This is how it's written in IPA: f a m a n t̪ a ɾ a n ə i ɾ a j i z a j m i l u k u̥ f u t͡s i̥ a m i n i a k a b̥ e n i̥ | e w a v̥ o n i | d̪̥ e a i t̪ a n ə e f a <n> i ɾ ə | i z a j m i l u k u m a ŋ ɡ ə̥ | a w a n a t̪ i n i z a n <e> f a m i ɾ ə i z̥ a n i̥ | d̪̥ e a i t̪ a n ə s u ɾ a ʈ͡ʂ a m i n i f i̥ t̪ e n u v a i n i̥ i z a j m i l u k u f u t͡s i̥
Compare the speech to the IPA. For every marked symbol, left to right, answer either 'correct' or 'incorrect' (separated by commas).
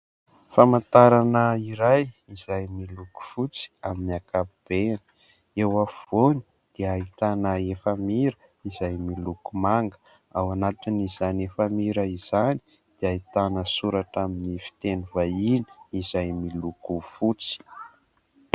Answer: incorrect, correct